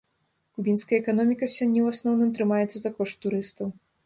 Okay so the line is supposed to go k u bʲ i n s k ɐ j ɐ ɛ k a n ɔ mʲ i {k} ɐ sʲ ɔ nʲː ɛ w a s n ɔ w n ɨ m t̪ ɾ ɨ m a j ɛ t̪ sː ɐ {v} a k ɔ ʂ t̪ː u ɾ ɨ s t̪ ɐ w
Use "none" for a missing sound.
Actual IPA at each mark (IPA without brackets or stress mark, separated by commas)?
k, z